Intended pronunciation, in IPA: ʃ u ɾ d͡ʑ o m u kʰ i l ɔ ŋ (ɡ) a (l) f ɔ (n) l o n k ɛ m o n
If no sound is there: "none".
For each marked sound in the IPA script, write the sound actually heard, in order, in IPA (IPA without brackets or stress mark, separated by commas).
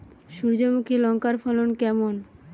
k, ɾ, none